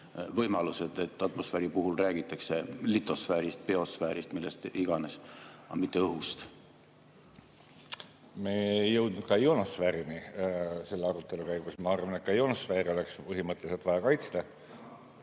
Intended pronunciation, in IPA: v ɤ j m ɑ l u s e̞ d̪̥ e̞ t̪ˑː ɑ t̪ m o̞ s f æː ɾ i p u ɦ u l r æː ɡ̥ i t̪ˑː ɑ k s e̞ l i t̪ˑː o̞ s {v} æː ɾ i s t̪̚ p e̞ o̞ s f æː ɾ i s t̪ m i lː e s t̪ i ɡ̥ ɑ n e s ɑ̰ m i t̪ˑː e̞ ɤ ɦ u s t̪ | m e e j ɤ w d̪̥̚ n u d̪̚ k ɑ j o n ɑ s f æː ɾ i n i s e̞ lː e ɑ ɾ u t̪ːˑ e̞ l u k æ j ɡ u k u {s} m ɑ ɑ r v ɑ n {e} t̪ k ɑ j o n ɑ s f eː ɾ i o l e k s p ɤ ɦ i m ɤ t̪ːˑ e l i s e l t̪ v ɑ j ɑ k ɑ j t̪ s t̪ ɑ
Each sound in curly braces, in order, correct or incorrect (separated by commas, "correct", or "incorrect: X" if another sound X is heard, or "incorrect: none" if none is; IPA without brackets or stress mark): incorrect: f, correct, correct